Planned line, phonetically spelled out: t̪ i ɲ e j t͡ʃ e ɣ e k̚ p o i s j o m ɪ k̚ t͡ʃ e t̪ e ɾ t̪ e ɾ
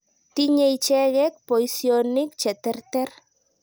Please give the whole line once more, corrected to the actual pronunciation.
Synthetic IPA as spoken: t̪ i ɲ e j t͡ʃ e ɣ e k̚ p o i s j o n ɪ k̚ t͡ʃ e t̪ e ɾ t̪ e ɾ